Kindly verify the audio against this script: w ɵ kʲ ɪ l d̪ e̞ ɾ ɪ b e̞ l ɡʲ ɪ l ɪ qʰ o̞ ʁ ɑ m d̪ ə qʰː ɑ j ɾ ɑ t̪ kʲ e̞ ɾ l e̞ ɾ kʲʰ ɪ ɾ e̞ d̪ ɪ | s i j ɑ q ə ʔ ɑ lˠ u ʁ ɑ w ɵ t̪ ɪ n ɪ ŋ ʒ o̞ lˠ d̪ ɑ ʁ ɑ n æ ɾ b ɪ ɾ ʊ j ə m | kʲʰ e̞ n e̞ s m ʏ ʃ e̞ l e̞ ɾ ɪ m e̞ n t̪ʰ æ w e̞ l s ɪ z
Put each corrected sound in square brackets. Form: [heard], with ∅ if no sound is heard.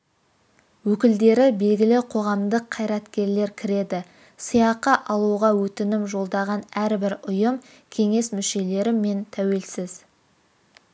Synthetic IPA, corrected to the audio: w ɵ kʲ ɪ l d̪ e̞ ɾ ɪ b e̞ l ɡʲ ɪ l ɪ qʰ o̞ ʁ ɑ m d̪ ə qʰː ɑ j ɾ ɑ t̪ kʲ e̞ ɾ l e̞ ɾ kʲʰ ɪ ɾ e̞ d̪ ɪ | s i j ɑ q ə ʔ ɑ lˠ u ʁ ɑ w ɵ t̪ ɪ n ɪ [m] ʒ o̞ lˠ d̪ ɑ ʁ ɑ n æ ɾ b ɪ ɾ ʊ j ə m | kʲʰ e̞ [ŋ] e̞ s m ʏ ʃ e̞ l e̞ ɾ ɪ m e̞ n t̪ʰ æ w e̞ l s ɪ z